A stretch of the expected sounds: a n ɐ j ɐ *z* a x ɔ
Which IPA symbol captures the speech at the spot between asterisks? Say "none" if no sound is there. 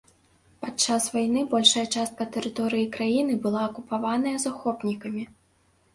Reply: z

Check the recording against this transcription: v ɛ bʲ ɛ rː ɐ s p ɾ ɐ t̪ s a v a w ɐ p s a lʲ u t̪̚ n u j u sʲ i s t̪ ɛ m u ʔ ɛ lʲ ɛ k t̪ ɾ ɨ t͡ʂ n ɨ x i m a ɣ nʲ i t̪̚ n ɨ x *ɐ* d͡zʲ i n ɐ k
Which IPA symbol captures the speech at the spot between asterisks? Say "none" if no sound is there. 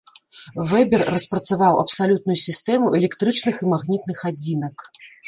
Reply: a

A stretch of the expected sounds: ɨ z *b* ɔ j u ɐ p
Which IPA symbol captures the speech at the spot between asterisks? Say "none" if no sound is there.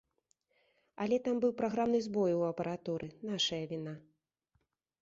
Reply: b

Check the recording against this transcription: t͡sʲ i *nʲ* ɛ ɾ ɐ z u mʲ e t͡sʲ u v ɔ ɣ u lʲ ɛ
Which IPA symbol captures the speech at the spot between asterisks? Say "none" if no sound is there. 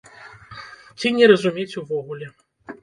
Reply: nʲ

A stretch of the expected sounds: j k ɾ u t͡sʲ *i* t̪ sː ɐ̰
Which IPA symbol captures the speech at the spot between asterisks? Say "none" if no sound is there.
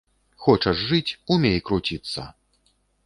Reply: i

